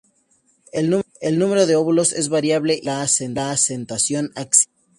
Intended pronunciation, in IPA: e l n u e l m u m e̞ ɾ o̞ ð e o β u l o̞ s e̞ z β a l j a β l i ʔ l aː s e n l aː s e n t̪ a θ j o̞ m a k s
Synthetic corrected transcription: e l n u e l n u m e̞ ɾ o̞ ð e o β u l o̞ s e̞ z β a ɾ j a β l e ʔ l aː s e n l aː s e n t̪ a s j o̞ n a k s